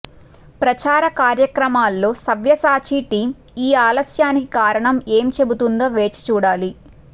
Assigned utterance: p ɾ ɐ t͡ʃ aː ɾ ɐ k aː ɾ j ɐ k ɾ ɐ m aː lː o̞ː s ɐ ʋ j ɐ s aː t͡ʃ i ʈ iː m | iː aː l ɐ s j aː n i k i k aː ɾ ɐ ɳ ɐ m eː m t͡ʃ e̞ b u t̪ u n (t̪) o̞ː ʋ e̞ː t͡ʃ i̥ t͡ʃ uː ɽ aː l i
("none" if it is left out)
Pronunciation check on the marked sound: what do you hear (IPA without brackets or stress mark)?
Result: d̪